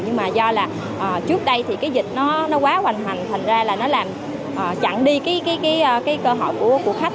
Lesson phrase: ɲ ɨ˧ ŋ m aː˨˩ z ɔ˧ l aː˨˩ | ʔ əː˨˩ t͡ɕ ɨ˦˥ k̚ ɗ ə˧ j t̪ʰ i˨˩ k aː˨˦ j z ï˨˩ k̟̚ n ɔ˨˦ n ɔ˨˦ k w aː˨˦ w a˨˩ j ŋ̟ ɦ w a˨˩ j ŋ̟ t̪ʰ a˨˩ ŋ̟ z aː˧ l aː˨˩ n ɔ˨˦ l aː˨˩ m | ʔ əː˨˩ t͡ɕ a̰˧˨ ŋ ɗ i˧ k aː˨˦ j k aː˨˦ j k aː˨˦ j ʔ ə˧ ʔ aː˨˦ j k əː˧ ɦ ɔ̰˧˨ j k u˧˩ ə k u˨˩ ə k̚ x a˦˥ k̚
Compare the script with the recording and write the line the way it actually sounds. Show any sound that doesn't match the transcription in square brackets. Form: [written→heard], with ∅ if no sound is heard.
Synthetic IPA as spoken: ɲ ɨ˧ ŋ m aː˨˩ z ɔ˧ l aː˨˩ | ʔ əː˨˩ t͡ɕ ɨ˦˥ k̚ ɗ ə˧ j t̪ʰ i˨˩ k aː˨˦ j z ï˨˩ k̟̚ n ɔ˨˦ n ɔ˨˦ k w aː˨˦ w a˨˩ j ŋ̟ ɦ w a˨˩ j ŋ̟ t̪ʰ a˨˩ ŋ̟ z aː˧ l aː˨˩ n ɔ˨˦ l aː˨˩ m | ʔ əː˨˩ t͡ɕ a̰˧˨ ŋ ɗ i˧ k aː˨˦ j k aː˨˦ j k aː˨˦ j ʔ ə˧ [ʔ→k] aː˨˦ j k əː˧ ɦ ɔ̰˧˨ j k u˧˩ ə k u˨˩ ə k̚ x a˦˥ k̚

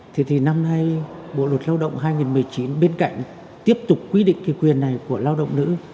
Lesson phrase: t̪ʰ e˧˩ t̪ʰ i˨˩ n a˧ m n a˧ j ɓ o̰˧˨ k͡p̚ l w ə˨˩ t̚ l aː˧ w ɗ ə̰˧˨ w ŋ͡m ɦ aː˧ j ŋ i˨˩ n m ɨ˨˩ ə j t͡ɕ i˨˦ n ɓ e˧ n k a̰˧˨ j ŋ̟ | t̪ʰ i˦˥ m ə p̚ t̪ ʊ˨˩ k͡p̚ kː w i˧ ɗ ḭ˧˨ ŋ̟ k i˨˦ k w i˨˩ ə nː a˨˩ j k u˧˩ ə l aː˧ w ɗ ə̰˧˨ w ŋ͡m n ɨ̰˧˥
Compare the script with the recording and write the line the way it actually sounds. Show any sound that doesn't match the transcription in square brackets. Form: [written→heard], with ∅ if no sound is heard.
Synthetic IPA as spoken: t̪ʰ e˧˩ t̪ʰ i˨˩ n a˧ m n a˧ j ɓ o̰˧˨ [k͡p̚→∅] l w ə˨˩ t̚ l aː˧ w ɗ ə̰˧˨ w ŋ͡m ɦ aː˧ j ŋ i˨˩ n m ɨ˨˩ ə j t͡ɕ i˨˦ n ɓ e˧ n k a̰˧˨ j ŋ̟ | [t̪ʰ→t̪] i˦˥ [m→∅] ə p̚ t̪ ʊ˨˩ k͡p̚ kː w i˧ ɗ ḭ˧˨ ŋ̟ k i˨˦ k w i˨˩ ə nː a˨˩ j k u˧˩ ə l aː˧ w ɗ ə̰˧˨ w ŋ͡m n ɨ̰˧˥

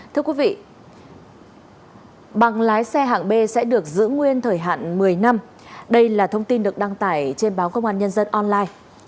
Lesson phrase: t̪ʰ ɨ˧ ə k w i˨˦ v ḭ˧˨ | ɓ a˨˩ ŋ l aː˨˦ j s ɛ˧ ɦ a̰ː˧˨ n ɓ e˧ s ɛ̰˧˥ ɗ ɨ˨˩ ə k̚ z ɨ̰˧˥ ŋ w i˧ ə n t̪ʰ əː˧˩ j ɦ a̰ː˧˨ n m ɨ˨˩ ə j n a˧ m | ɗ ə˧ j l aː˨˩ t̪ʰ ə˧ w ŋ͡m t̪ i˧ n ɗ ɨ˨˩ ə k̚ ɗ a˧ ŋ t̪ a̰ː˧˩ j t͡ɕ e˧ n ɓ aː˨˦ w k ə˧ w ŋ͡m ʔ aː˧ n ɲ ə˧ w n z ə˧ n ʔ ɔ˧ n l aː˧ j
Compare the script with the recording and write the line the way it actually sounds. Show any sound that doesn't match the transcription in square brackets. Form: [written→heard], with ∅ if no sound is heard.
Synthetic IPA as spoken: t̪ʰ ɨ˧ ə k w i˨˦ v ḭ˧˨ | ɓ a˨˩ ŋ l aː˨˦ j s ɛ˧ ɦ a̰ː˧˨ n ɓ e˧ s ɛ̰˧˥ ɗ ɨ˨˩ ə k̚ z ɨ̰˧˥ ŋ w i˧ ə n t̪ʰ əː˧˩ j ɦ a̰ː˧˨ n m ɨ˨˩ ə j n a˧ m | ɗ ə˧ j l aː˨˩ t̪ʰ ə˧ w ŋ͡m t̪ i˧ n ɗ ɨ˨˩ ə k̚ ɗ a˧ ŋ t̪ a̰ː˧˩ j t͡ɕ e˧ n ɓ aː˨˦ w k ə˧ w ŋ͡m ʔ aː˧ n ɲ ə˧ [w→∅] n z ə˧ n ʔ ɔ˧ n l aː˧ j

